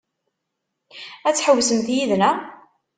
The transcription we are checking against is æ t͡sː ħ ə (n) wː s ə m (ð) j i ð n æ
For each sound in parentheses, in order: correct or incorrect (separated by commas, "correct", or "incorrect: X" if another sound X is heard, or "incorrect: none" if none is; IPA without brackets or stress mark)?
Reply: incorrect: none, incorrect: θ